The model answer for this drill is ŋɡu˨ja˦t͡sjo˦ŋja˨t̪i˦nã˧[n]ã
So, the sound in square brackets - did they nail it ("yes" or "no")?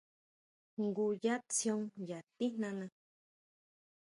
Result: yes